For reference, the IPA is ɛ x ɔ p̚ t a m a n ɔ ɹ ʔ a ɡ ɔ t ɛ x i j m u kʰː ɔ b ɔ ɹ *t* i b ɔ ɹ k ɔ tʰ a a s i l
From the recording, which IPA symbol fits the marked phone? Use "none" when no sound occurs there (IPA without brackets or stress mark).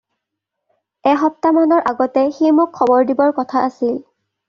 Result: d